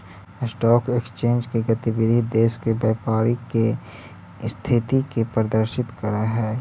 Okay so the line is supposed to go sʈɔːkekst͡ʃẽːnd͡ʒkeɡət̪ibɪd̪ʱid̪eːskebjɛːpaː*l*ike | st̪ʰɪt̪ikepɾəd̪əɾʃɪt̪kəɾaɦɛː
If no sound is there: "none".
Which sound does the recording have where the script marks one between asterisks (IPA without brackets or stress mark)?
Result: ɾ